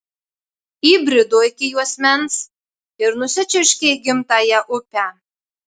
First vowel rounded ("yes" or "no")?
no